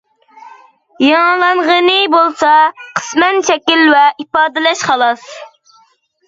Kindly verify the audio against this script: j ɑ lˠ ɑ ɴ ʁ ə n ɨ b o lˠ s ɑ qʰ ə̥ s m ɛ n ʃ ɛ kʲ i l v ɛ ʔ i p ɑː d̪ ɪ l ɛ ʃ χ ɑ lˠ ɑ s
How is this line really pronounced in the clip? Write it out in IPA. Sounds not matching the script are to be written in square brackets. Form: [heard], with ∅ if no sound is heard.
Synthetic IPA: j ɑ lˠ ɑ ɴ ʁ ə n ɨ b o lˠ s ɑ qʰ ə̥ s m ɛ n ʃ ɛ kʲ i l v ɛ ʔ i p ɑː d̪ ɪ l ɛ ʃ χ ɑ lˠ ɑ s

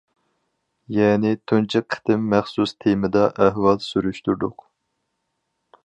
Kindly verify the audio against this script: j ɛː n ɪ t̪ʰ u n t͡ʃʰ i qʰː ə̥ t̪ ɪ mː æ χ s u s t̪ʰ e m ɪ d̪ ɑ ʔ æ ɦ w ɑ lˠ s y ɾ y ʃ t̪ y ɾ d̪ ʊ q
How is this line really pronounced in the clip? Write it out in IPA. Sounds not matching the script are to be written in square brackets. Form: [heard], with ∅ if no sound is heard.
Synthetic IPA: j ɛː n ɪ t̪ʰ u n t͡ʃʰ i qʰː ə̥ t̪ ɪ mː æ χ s u s t̪ʰ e m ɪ d̪ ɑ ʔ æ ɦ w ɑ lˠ s y ɾ y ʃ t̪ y ɾ d̪ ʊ q

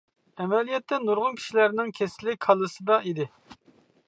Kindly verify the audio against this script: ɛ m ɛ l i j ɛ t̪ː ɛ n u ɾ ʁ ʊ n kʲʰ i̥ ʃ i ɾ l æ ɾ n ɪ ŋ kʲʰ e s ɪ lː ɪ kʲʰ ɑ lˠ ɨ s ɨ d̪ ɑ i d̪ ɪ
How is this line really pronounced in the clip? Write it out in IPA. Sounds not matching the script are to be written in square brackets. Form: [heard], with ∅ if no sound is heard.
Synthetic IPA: ɛ m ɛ l i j ɛ t̪ː ɛ n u ɾ ʁ ʊ n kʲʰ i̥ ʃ i [∅] l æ ɾ n ɪ ŋ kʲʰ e s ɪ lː ɪ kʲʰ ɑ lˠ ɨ s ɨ d̪ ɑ i d̪ ɪ

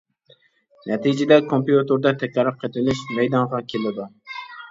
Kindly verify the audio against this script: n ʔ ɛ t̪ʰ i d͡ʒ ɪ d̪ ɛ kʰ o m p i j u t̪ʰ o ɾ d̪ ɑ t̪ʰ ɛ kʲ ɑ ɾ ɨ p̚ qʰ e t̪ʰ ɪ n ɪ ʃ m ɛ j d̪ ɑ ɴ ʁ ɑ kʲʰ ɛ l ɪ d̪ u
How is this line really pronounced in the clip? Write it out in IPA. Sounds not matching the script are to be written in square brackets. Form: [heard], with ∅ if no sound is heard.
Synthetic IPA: n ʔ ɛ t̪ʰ i d͡ʒ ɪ d̪ ɛ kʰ o m p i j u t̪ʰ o ɾ d̪ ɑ t̪ʰ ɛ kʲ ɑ ɾ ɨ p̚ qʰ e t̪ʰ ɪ n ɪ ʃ m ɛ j d̪ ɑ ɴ ʁ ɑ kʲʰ [e] l ɪ d̪ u

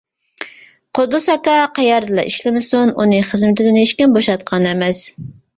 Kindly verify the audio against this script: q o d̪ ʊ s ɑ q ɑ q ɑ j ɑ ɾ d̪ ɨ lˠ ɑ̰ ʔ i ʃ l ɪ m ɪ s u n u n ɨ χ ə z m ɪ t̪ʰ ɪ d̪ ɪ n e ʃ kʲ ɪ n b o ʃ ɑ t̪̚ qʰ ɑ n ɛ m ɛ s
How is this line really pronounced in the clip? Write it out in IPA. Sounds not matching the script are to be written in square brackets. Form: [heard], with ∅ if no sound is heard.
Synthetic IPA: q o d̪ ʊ s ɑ [k] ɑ q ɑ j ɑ ɾ d̪ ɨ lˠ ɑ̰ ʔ i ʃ l ɪ m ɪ s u n u n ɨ χ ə z m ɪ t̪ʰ ɪ d̪ ɪ n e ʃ kʲ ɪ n b o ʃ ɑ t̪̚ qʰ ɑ n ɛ m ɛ s

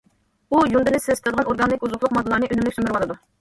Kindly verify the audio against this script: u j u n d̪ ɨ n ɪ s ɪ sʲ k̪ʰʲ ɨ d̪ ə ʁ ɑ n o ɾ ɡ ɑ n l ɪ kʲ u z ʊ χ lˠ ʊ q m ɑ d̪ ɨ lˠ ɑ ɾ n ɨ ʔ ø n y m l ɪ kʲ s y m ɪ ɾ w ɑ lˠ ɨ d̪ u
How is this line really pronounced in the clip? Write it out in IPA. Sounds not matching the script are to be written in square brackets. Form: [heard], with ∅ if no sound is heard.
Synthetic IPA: u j u n d̪ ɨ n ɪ s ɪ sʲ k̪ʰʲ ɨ d̪ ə ʁ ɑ n o ɾ ɡ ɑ n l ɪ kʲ u z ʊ χ lˠ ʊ q m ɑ d̪ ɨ lˠ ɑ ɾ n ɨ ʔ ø n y m l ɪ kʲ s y m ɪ ɾ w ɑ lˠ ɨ d̪ u

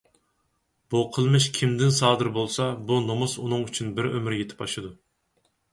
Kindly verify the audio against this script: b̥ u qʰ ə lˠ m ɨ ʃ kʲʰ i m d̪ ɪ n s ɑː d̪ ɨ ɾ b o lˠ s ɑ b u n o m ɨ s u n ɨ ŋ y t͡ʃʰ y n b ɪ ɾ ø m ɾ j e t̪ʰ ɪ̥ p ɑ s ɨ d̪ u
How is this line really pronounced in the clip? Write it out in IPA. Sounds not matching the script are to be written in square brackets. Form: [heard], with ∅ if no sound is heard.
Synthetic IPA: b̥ u qʰ ə lˠ m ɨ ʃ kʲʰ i m d̪ ɪ n s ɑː d̪ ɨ ɾ b o lˠ s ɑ b u n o m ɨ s u n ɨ ŋ y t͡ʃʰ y n b ɪ ɾ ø m ɾ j e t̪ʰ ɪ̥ p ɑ [ʃ] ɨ d̪ u

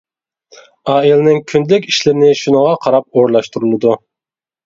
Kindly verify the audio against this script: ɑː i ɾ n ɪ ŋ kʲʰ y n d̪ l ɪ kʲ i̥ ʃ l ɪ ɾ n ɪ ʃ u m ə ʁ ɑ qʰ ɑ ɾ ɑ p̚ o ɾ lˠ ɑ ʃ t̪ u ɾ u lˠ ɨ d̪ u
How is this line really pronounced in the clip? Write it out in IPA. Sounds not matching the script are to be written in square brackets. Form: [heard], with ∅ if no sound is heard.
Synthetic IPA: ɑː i [l] n ɪ ŋ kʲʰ y n d̪ l ɪ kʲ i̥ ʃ l ɪ ɾ n ɪ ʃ u [n] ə ʁ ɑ qʰ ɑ ɾ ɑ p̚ o ɾ lˠ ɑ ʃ t̪ u ɾ u lˠ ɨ d̪ u

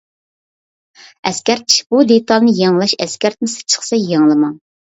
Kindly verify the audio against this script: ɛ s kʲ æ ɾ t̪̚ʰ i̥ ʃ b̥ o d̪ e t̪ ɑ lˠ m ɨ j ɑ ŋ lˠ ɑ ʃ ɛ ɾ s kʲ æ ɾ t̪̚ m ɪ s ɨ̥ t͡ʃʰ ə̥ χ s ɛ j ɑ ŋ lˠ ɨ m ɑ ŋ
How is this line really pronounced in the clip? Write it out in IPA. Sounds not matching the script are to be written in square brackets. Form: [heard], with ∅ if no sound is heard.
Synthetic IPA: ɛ s kʲ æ ɾ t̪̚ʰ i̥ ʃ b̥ [u] d̪ e t̪ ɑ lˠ [n] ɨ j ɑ ŋ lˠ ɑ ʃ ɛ [∅] s kʲ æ ɾ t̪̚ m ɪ s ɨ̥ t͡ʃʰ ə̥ χ s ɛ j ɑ ŋ lˠ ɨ m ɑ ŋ

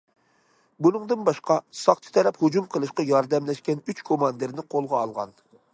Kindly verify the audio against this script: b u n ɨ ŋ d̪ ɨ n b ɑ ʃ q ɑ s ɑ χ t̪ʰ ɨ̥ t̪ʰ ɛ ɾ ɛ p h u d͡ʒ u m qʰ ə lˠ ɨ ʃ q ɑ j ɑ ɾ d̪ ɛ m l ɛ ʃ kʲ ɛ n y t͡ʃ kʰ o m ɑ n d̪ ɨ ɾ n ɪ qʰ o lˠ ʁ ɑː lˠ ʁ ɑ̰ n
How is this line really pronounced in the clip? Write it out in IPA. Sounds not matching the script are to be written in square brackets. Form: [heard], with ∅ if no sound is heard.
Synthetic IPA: b u n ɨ ŋ d̪ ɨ n b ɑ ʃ q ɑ s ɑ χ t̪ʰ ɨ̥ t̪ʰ ɛ ɾ ɛ p h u d͡ʒ u m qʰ ə lˠ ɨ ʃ q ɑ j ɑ ɾ d̪ ɛ m l ɛ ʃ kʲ ɛ n y t͡ʃ kʰ o m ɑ n d̪ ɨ ɾ n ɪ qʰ o lˠ ʁ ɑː lˠ ʁ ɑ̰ n

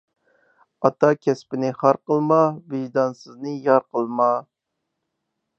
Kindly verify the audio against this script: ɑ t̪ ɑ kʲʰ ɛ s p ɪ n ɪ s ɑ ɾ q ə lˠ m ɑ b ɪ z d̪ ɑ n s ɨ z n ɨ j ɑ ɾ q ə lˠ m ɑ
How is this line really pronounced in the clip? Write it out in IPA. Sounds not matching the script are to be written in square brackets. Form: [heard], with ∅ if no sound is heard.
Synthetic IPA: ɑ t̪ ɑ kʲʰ ɛ s p ɪ n ɪ [χ] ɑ ɾ q ə lˠ m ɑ b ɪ [ʒ] d̪ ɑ n s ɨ z n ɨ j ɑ ɾ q ə lˠ m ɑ

